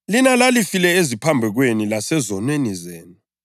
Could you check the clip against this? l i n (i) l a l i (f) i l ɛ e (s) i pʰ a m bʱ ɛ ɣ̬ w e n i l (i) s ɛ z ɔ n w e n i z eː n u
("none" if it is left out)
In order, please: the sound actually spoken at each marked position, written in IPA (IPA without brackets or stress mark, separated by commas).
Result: a, f, z, a